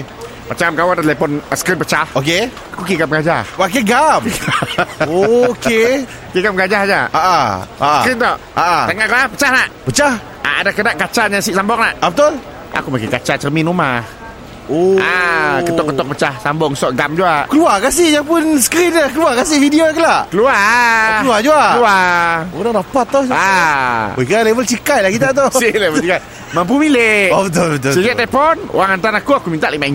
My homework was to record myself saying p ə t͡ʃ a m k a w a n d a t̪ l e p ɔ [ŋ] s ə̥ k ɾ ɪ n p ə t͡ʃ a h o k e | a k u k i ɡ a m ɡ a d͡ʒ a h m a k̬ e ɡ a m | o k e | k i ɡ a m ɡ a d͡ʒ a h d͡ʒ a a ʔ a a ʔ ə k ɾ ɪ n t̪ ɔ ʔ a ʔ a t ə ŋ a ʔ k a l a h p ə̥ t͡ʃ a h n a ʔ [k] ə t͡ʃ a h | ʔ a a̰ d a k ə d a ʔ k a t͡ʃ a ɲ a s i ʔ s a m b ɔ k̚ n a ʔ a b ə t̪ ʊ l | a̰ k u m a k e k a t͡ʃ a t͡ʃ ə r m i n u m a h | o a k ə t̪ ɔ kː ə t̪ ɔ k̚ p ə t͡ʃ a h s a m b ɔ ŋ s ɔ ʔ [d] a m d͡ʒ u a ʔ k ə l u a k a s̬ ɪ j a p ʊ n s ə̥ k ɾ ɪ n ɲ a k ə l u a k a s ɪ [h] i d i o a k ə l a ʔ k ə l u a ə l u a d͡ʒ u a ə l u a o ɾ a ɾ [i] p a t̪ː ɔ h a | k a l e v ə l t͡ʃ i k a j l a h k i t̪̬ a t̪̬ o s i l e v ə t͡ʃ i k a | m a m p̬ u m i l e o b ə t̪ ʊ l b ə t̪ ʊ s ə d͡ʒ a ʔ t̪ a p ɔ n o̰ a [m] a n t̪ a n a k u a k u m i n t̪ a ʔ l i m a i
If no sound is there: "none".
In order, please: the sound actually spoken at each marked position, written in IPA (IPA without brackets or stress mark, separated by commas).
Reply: n, p, ɡ, f, a, ŋ